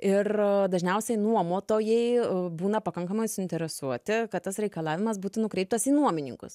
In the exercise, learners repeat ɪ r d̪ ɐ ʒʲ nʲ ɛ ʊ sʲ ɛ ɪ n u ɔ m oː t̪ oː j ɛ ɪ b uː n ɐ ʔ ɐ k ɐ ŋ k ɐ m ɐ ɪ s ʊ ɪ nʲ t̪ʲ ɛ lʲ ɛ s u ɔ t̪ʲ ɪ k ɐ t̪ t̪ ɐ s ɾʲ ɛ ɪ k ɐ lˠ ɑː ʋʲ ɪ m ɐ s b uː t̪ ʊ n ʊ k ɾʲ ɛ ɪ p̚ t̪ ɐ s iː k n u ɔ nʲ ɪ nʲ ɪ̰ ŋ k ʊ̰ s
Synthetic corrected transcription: ɪ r d̪ ɐ ʒʲ nʲ ɛ ʊ sʲ ɛ ɪ n u ɔ m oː t̪ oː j ɛ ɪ b uː n ɐ p ɐ k ɐ ŋ k ɐ m ɐ ɪ s ʊ ɪ nʲ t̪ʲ ɛ ɾʲ ɛ s u ɔ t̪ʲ ɪ k ɐ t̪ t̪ ɐ s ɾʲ ɛ ɪ k ɐ lˠ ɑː ʋʲ ɪ m ɐ s b uː t̪ ʊ n ʊ k ɾʲ ɛ ɪ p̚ t̪ ɐ s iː n u ɔ mʲ ɪ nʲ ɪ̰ ŋ k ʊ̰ s